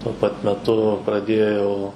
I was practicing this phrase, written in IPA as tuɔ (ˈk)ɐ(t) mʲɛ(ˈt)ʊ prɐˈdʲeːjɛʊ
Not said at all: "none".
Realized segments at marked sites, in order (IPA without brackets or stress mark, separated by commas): p, t, t